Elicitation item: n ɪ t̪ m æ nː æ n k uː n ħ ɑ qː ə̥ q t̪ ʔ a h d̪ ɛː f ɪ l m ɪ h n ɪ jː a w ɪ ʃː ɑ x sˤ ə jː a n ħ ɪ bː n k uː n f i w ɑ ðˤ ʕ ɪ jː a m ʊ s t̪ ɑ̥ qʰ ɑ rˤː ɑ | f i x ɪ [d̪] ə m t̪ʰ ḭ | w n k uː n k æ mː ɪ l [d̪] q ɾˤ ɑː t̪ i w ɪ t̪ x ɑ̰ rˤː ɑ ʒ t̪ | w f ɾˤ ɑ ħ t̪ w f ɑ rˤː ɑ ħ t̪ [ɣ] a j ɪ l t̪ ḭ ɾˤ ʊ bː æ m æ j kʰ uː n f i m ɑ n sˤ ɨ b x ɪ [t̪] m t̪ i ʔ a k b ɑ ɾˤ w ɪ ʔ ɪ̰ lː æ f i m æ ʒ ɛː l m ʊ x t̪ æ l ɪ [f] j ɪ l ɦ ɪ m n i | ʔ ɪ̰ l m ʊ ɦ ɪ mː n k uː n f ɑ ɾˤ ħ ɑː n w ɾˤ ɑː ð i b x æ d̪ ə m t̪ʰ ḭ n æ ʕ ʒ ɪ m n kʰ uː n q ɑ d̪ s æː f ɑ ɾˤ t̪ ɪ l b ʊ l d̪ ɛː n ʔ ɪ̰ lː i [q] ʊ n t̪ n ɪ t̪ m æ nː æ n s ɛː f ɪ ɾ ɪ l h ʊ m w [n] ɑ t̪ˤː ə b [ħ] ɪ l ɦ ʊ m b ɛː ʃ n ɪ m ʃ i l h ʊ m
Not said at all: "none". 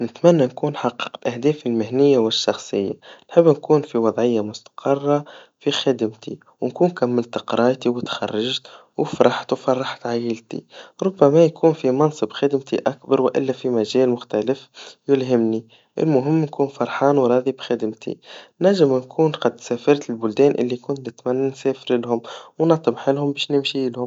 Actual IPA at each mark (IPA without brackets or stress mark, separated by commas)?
d̪, t̪, ʕ, d̪, f, k, n, ħ